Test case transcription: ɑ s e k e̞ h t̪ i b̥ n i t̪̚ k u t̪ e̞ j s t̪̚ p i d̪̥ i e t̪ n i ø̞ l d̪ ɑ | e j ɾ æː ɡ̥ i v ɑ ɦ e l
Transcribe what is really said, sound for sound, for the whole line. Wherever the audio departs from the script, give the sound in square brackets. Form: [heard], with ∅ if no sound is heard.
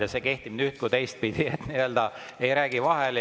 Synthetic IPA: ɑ s e k e̞ h t̪ i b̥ n [y] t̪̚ k u t̪ e̞ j s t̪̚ p i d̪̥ i e t̪ n i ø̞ l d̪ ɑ | e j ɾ æː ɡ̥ i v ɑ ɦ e l